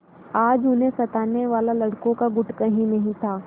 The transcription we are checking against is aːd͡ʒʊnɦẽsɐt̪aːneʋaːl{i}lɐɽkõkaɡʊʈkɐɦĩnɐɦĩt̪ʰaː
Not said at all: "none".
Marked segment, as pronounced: a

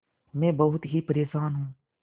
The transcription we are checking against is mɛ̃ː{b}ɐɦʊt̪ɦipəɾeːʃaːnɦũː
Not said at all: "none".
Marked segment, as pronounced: b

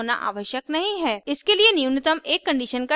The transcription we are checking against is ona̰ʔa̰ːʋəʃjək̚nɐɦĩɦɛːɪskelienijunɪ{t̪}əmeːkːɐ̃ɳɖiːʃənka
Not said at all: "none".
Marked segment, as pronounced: t̪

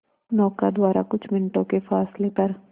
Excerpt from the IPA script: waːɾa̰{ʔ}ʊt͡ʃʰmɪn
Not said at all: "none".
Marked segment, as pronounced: k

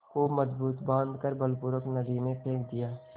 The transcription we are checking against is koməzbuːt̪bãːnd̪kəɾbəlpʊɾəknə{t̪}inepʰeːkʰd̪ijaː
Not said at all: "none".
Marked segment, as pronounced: d̪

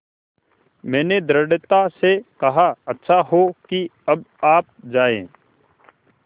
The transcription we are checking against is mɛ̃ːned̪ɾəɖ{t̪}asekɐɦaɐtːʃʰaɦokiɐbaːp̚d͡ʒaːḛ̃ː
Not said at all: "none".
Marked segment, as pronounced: t̪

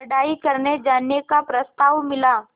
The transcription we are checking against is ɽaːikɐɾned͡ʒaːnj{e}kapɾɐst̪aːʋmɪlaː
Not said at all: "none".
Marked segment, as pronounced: e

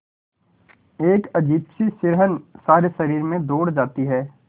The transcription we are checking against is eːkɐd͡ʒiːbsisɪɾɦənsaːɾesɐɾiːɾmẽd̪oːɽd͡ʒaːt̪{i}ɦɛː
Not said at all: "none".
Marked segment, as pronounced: i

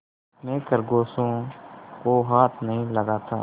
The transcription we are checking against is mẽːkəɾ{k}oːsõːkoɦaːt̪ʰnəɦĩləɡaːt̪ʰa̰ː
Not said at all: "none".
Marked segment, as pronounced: ɡ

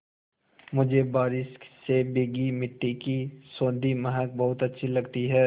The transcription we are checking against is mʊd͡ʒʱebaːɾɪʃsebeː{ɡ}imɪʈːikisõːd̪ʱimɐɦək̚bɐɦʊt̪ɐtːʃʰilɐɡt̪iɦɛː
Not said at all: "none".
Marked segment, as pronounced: ɡ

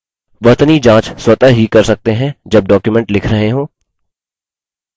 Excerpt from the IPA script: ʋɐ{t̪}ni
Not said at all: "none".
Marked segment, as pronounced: t̪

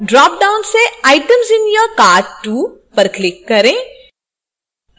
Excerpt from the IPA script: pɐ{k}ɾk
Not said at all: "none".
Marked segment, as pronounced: none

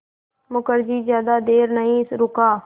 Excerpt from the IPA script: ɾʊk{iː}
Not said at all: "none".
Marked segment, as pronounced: aː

